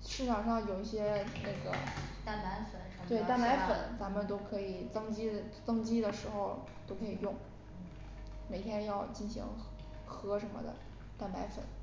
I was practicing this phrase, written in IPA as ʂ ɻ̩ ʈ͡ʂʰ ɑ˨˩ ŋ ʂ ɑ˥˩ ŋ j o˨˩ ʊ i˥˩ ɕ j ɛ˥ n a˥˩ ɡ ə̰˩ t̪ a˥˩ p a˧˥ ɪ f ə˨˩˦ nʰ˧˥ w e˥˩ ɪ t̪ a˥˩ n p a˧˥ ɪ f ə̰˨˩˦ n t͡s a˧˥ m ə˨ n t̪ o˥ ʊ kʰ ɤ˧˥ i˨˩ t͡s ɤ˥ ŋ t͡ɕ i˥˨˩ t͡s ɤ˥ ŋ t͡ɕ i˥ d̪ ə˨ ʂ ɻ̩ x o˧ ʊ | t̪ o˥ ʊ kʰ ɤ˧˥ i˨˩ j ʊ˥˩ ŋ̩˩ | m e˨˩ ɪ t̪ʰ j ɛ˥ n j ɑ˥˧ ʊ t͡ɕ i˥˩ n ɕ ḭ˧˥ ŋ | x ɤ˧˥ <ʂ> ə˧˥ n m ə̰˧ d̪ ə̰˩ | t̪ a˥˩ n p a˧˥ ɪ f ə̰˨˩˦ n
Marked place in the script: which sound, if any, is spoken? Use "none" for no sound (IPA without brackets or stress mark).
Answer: ʂ